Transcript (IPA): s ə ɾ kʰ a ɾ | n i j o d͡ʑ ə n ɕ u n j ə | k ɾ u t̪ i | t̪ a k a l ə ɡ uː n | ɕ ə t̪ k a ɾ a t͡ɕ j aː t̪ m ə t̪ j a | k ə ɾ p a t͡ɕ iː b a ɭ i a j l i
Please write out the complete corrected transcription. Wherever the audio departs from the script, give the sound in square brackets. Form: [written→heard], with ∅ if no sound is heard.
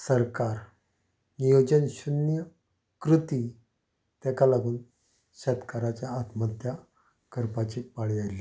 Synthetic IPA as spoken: s ə ɾ [kʰ→k] a ɾ | n i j o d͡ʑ ə n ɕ u n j ə | k ɾ u t̪ i | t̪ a k a l [ə→a] ɡ uː n | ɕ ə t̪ k a ɾ a t͡ɕ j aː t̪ m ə t̪ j a | k ə ɾ p a t͡ɕ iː [b→p] a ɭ i a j l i